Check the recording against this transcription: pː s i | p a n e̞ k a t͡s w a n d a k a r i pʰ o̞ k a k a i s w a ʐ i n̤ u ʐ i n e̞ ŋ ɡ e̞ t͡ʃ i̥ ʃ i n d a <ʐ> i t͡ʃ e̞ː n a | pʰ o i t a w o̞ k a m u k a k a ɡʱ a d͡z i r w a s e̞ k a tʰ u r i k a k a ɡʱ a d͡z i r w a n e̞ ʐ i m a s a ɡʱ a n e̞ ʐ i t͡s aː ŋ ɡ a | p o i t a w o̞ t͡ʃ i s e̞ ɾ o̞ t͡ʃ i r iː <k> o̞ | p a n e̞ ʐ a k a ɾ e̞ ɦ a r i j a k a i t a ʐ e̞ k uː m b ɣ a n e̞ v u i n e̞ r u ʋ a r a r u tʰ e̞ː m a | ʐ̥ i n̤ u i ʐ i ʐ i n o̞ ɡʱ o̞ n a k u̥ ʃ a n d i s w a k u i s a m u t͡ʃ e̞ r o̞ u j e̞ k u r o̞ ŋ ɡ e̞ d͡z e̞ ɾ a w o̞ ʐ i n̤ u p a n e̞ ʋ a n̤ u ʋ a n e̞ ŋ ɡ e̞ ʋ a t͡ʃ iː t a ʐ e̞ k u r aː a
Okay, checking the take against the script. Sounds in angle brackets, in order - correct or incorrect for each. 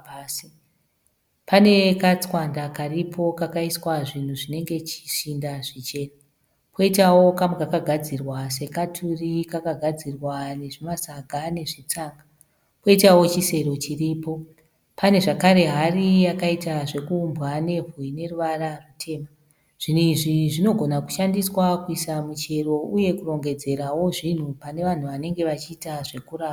correct, incorrect

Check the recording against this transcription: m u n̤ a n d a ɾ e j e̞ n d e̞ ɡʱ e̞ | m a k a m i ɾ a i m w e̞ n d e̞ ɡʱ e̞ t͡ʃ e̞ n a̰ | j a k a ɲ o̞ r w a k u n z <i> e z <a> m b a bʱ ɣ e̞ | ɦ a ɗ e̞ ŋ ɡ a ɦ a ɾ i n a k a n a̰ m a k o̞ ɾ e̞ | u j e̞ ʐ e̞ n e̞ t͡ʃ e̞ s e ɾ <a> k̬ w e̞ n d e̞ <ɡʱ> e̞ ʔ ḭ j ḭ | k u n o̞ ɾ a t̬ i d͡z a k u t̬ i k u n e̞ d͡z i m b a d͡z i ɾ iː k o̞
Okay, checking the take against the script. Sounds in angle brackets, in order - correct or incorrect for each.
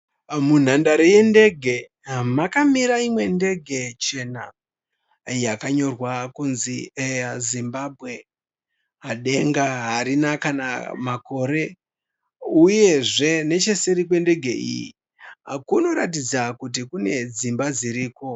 correct, incorrect, incorrect, correct

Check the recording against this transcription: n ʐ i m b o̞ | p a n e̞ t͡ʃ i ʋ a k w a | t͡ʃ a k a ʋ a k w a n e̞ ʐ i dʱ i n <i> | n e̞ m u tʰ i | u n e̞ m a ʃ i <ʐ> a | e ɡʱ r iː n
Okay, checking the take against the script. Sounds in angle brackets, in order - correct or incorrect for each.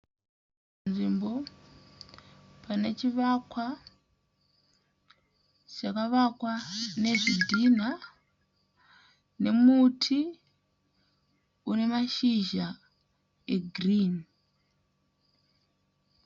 incorrect, incorrect

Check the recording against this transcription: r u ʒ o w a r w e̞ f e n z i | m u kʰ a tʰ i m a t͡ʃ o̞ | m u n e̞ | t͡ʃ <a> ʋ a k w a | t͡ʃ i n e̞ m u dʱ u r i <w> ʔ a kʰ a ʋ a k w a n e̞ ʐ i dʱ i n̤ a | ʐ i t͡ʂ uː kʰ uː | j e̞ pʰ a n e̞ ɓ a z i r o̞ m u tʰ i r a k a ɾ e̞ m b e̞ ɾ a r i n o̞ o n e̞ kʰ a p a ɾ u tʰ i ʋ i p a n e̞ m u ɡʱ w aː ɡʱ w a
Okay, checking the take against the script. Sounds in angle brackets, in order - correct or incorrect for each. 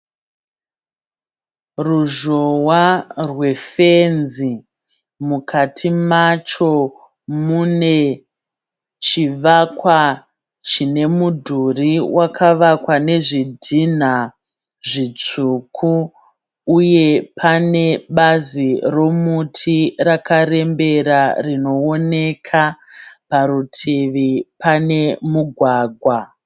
incorrect, correct

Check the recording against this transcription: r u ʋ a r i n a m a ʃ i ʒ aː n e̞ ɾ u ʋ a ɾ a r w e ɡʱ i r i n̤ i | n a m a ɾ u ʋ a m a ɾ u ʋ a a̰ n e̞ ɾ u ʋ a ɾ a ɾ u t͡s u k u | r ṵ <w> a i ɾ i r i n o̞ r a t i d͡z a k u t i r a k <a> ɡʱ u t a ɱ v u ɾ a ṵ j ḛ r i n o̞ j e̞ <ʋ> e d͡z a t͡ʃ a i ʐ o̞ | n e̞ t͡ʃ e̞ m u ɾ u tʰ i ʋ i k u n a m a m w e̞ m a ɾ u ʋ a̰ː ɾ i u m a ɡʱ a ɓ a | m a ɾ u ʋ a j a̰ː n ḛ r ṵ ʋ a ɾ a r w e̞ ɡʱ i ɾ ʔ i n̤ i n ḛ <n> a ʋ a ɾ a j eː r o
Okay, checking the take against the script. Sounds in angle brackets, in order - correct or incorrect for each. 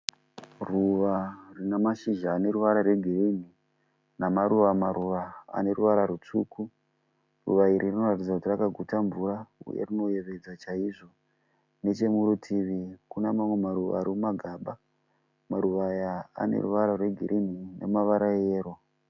incorrect, correct, correct, incorrect

